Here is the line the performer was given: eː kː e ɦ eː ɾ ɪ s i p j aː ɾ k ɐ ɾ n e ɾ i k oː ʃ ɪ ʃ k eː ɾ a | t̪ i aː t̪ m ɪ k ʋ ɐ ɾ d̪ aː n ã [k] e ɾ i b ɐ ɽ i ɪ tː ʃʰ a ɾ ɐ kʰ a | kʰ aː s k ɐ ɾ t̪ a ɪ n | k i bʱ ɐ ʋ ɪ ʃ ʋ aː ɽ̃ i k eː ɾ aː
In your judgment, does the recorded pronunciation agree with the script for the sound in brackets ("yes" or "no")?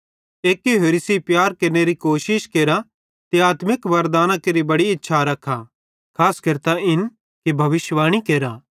yes